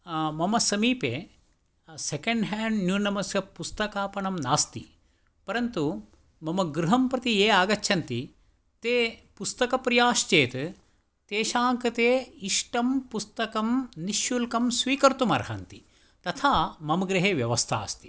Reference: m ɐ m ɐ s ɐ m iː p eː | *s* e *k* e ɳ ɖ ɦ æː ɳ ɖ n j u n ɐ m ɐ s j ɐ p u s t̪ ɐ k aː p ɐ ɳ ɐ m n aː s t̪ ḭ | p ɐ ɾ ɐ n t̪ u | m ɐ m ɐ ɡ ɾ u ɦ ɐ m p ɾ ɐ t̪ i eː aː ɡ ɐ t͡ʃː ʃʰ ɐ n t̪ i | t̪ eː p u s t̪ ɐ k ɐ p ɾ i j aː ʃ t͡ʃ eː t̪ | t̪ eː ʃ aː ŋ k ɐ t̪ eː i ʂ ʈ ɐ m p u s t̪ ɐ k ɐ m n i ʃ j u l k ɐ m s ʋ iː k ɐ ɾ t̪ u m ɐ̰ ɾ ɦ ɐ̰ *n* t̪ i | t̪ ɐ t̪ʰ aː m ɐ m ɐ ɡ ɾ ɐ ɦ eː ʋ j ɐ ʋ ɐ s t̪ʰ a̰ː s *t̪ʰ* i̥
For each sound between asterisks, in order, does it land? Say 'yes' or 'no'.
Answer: yes, yes, yes, no

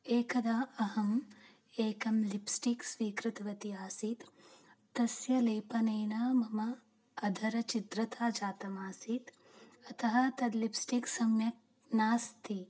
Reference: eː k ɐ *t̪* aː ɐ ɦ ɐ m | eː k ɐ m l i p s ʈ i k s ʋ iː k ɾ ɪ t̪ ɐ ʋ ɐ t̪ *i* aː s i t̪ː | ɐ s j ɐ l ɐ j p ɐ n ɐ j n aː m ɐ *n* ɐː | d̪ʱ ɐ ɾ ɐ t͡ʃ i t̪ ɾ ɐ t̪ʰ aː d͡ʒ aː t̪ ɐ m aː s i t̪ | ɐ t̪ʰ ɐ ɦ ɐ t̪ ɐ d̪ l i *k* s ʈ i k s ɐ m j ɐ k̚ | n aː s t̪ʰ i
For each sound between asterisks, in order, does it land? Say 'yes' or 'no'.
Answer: no, yes, no, no

